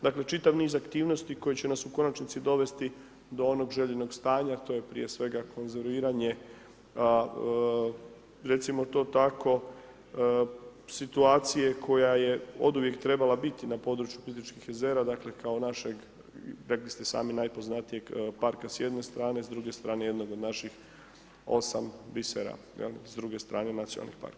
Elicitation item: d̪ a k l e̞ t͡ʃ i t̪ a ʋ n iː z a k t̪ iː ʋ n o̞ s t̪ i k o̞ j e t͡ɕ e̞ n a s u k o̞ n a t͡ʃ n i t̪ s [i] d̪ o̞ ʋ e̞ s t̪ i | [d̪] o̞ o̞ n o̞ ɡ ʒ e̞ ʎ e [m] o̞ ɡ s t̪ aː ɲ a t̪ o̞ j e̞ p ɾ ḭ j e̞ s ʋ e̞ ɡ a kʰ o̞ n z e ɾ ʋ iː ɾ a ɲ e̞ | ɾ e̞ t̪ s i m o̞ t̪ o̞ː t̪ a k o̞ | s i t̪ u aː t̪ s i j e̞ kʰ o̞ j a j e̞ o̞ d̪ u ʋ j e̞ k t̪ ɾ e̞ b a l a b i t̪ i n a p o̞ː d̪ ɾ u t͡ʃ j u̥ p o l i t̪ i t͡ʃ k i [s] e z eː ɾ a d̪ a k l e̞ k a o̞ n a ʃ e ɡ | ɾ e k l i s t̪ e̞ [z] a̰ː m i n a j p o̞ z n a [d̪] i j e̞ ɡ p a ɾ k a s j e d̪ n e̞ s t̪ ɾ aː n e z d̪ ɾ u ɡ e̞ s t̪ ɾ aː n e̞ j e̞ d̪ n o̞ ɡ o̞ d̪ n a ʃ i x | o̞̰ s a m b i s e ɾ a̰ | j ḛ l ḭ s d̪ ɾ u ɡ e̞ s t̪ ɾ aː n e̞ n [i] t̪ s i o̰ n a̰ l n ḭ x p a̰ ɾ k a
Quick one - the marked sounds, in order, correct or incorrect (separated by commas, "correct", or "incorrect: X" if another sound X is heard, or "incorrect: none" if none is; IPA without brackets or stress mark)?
correct, correct, incorrect: n, incorrect: x, incorrect: s, incorrect: t̪, incorrect: a